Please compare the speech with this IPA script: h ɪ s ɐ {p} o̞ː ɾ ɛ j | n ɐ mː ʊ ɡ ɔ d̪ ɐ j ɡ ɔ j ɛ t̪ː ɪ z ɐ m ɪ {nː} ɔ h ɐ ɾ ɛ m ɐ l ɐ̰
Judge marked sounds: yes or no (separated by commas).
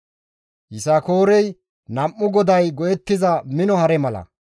no, no